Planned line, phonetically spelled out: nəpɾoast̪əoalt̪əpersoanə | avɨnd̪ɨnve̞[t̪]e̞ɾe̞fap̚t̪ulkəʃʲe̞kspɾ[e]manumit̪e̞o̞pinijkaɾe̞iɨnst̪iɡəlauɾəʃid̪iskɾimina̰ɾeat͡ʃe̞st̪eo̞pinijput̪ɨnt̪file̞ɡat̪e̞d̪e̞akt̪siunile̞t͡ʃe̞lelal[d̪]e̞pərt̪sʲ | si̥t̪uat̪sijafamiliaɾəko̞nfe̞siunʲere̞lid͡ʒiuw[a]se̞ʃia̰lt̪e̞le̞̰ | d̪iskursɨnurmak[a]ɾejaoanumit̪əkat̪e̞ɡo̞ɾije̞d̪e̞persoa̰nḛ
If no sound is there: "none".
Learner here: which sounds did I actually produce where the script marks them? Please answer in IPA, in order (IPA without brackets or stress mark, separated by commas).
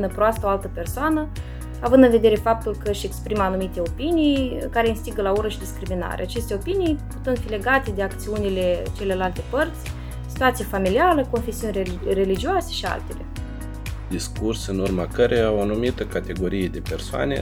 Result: d̪, i, t̪, a, ə